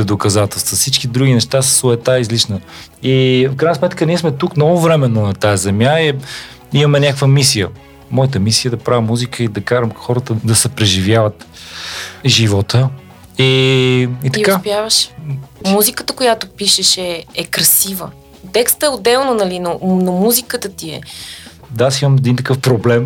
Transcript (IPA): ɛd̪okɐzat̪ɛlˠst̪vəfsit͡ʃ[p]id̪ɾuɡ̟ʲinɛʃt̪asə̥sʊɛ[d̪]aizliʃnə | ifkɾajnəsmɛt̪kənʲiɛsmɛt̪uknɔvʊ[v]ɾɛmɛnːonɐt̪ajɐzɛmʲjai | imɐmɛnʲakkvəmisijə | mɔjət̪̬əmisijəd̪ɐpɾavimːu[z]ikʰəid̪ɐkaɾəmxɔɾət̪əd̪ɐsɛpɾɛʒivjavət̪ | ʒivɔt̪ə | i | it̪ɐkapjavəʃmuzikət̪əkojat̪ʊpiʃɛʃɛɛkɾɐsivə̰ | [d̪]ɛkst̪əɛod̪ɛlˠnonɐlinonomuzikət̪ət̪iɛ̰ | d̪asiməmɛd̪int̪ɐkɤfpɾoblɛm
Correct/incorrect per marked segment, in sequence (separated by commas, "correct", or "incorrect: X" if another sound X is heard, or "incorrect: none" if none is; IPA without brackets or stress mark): incorrect: k, incorrect: t̪, correct, correct, incorrect: t̪